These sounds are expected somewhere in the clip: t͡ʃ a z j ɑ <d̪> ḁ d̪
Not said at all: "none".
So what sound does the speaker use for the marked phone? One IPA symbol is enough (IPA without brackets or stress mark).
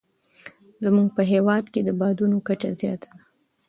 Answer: t̪